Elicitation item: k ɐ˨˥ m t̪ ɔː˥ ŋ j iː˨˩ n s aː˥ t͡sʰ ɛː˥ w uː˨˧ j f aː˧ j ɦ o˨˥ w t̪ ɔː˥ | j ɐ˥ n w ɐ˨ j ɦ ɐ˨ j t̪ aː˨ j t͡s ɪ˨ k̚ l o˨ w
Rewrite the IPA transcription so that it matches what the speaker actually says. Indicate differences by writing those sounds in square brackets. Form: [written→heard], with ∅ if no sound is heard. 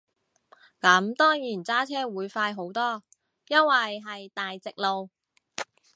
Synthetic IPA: k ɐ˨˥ m t̪ ɔː˥ ŋ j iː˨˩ n [s→t͡s] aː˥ t͡sʰ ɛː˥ w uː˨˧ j f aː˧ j ɦ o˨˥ w t̪ ɔː˥ | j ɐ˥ n w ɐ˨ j ɦ ɐ˨ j t̪ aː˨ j t͡s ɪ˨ k̚ l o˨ w